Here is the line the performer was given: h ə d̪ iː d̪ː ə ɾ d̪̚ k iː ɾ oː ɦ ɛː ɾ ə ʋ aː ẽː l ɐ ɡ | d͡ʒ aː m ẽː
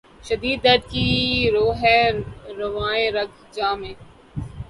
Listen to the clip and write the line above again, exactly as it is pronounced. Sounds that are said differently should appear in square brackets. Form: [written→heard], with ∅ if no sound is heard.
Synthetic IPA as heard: [h→ʃ] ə d̪ iː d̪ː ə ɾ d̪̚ k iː ɾ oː ɦ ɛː ɾ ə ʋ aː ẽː [l→ɾ] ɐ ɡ | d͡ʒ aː m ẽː